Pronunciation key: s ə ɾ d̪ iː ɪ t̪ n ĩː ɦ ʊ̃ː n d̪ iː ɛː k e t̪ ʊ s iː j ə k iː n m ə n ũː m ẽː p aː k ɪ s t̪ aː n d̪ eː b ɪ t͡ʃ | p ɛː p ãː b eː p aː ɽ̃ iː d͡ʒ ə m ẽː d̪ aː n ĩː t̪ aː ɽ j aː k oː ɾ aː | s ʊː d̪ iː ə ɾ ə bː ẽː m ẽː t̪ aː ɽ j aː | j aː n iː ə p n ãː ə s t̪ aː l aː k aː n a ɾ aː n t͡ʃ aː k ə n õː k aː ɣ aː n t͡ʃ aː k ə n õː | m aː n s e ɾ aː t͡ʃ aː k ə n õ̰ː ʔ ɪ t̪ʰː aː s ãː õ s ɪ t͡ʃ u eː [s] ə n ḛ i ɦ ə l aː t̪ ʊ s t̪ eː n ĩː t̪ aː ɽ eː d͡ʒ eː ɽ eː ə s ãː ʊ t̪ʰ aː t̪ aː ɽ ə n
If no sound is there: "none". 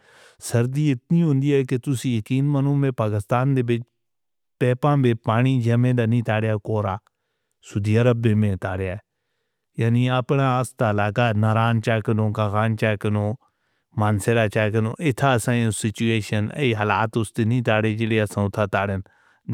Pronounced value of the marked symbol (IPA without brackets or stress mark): ʃ